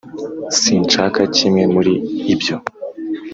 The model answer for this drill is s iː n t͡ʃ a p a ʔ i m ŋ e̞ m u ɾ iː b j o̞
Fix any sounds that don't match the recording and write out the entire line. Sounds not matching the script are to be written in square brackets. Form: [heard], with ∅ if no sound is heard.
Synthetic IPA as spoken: s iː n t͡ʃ a [k] a [c] i m ŋ e̞ m u ɾ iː b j o̞